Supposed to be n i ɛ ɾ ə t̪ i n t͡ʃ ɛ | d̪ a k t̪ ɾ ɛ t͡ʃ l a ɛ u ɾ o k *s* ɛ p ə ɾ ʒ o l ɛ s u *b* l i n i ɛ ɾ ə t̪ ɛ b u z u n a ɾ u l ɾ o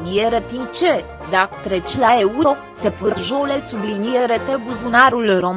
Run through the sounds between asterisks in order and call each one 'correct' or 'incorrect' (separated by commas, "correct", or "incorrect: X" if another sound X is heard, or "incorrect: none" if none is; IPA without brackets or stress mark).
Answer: correct, correct